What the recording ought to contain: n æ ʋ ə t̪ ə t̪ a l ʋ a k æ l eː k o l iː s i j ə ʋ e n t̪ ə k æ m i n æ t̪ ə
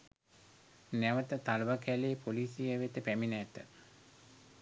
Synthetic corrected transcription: n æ ʋ ə t̪ ə t̪ a l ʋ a k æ l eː p o l iː s i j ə ʋ e t̪ ə p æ m i n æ t̪ ə